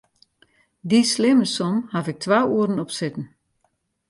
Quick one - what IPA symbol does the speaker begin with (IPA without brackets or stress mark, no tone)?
d